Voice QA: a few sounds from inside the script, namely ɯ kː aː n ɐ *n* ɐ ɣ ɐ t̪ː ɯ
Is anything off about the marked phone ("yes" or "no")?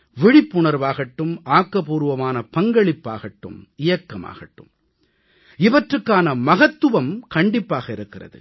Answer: yes